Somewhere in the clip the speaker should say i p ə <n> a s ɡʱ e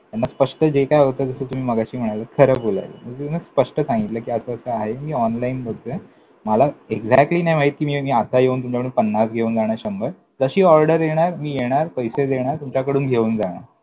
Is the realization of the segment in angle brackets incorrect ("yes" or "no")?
yes